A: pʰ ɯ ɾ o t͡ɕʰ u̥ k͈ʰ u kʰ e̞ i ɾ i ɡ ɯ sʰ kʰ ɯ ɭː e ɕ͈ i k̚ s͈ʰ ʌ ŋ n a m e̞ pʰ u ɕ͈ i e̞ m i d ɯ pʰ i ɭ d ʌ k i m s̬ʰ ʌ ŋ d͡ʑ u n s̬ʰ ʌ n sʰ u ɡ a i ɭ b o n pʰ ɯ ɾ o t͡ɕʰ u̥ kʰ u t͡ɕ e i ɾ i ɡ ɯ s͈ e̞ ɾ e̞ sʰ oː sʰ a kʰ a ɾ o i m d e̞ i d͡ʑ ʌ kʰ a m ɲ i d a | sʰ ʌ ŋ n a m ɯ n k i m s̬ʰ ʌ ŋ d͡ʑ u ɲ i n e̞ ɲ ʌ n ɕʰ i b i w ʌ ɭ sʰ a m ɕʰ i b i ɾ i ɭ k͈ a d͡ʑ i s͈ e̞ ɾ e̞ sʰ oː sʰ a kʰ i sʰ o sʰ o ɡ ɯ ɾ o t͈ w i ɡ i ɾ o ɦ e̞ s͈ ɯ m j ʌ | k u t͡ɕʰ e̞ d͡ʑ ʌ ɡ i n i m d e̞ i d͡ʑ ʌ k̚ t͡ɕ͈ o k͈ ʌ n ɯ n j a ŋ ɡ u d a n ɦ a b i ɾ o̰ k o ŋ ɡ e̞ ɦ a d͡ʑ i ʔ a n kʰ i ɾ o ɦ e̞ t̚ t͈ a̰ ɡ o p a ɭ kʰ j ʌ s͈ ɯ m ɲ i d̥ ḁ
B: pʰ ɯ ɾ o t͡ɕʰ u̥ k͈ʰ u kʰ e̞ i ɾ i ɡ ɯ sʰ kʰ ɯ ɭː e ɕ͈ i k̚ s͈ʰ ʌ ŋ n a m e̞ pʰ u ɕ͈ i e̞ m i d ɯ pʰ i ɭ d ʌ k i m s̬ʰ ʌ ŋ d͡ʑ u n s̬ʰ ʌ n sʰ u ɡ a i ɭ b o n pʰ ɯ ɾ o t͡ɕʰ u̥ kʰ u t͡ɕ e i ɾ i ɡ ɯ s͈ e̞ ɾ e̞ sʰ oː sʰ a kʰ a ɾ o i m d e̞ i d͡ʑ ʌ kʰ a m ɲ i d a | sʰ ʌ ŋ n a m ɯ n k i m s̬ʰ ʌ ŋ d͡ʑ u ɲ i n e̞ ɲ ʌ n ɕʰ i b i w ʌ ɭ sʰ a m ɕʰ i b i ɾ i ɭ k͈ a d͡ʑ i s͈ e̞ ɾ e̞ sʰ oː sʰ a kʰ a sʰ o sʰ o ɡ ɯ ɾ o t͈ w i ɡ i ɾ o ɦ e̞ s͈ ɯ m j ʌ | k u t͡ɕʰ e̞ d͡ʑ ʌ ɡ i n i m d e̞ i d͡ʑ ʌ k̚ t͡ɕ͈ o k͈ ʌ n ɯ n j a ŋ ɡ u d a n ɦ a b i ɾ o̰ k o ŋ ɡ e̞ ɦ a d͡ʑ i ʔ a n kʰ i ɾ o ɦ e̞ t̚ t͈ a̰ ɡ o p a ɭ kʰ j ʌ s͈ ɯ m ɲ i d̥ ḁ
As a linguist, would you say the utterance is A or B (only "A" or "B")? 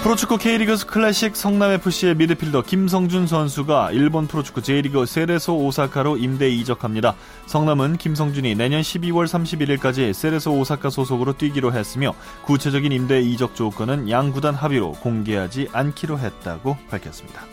B